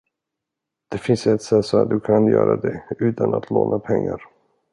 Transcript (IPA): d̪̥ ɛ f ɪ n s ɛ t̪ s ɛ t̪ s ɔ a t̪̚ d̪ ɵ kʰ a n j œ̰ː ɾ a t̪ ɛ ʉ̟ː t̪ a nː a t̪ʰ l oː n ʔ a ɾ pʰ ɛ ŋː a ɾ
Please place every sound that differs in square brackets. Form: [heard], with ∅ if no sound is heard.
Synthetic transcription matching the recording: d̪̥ ɛ f ɪ n s ɛ t̪ s ɛ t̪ s ɔ a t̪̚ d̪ ɵ kʰ a n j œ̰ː ɾ a [d̪] ɛ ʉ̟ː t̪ a [n] a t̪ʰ l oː n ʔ a [∅] pʰ ɛ ŋː a ɾ